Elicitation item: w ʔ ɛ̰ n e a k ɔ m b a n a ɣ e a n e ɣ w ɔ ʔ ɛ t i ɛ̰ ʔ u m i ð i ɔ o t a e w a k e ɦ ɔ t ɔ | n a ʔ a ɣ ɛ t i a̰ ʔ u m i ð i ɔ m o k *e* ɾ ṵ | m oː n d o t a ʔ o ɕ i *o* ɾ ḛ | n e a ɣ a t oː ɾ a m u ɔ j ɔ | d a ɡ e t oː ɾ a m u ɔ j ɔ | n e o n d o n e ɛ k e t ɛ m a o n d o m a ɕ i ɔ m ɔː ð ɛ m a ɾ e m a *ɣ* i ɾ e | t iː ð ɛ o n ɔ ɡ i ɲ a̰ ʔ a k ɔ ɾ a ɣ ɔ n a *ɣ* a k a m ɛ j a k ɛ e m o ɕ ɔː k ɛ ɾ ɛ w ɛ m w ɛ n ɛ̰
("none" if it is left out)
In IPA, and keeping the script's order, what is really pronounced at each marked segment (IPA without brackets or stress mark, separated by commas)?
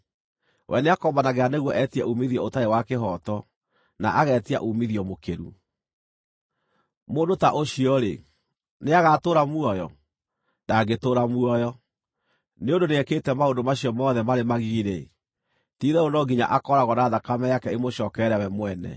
e, ɔ, ɣ, ð